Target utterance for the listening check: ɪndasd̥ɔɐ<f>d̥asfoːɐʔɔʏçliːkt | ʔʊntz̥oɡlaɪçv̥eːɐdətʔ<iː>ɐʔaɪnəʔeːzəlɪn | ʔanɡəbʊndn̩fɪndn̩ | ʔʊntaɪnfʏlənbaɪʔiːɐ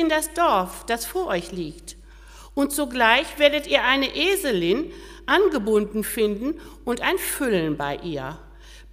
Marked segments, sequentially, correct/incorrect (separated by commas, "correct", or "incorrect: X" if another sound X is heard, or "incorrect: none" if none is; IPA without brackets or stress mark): correct, correct